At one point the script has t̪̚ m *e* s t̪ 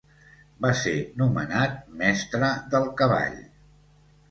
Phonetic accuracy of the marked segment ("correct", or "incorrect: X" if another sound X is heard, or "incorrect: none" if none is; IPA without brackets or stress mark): incorrect: ɛ